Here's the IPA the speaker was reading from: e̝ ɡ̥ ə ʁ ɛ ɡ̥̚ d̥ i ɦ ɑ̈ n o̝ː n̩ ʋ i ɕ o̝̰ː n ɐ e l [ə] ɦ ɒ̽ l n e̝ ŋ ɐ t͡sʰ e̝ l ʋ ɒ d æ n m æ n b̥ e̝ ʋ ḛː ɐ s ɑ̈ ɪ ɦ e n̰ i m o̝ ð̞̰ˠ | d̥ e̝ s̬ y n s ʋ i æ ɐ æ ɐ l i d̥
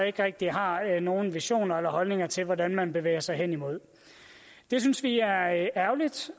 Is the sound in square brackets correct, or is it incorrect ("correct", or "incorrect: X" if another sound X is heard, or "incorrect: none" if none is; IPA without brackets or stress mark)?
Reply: incorrect: ɐ